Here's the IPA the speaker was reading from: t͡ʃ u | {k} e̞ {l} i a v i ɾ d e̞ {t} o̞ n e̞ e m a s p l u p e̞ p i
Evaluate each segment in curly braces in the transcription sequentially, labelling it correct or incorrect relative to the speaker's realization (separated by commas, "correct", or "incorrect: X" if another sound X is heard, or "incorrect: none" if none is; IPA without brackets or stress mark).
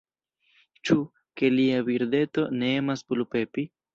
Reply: correct, correct, correct